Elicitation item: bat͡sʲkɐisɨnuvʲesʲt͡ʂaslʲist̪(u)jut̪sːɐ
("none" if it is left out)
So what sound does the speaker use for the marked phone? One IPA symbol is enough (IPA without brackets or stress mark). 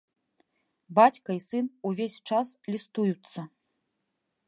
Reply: u